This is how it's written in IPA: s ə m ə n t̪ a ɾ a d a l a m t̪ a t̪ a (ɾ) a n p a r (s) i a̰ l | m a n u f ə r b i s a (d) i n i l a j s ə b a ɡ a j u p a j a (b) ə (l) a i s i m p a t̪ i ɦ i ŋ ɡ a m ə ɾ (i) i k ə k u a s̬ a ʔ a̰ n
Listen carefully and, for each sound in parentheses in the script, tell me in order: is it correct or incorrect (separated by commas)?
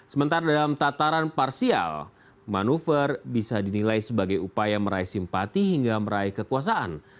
correct, correct, correct, incorrect, incorrect, incorrect